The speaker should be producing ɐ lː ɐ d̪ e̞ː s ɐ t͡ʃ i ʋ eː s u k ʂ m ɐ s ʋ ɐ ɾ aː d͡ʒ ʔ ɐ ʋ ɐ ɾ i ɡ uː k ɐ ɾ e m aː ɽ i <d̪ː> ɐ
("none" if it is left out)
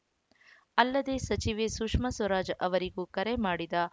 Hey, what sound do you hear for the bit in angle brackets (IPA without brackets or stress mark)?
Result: d̪